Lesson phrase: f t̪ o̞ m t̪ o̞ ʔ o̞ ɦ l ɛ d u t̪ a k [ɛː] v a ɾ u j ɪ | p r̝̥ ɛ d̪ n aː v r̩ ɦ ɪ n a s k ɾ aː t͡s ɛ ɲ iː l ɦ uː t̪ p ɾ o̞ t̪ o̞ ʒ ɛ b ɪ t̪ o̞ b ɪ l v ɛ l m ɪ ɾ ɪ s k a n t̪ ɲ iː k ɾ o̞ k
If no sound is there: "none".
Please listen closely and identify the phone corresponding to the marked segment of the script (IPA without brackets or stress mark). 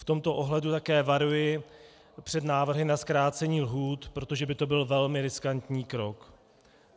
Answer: ɛː